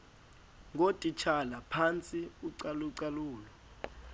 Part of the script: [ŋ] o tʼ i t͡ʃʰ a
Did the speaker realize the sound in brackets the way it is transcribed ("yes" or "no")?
yes